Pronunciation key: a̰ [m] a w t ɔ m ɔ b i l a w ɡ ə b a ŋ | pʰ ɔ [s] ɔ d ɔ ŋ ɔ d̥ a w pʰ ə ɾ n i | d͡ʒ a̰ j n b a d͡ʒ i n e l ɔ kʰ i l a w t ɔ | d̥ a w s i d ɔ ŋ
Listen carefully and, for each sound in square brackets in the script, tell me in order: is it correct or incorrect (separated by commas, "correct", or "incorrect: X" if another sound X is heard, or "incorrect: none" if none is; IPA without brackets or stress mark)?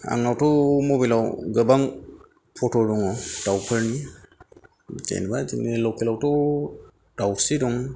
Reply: incorrect: ŋ, incorrect: t